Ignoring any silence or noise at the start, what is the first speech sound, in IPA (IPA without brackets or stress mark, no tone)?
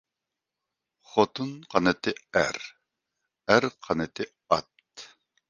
χ